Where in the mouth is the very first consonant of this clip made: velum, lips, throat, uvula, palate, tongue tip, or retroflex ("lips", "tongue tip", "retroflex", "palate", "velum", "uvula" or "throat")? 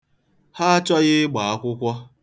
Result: throat